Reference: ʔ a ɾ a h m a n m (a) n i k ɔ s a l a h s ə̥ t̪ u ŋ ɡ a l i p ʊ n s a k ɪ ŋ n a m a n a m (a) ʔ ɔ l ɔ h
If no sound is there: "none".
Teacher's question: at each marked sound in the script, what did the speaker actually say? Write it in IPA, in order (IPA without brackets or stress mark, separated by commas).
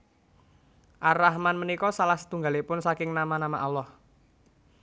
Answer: ə, a